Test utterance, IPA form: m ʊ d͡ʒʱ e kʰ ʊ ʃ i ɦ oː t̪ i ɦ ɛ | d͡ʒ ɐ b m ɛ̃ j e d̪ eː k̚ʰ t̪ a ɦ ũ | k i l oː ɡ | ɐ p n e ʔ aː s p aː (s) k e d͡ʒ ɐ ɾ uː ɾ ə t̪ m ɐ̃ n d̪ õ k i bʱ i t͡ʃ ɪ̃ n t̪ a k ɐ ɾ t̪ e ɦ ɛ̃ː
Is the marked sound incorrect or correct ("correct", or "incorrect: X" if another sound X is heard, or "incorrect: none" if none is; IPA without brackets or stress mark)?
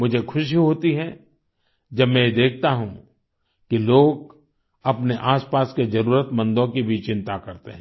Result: correct